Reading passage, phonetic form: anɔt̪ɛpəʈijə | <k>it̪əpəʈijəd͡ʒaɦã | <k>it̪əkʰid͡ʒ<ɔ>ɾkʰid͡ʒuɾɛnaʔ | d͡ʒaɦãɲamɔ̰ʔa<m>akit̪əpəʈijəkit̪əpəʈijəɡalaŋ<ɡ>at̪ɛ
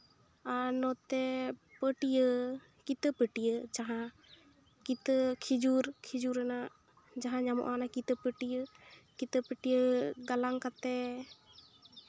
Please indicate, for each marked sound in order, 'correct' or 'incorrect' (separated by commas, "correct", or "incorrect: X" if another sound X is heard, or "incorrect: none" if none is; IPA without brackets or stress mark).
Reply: correct, correct, incorrect: u, incorrect: n, incorrect: k